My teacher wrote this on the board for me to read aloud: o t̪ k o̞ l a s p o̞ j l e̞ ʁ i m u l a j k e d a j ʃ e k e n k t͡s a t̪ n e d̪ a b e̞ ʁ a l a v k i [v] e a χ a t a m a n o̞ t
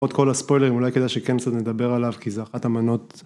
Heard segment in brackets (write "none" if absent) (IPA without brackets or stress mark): z